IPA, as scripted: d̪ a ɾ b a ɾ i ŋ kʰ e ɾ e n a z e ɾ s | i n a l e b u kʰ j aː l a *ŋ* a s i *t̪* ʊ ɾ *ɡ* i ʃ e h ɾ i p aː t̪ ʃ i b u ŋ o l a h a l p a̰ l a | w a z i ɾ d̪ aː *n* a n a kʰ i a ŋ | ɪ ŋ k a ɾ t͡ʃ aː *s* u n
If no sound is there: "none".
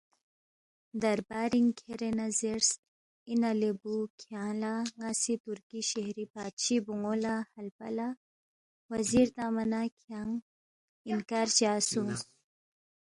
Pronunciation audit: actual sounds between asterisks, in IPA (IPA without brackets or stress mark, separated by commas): ŋ, t̪, k, m, s